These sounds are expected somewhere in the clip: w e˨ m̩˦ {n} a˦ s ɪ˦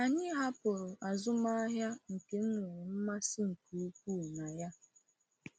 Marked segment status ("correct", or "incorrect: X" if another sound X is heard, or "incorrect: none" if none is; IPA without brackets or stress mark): incorrect: m